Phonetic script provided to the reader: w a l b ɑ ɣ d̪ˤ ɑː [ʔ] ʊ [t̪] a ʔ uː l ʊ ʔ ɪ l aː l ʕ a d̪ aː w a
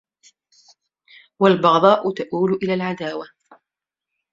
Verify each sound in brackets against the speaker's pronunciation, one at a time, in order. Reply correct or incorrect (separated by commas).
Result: correct, correct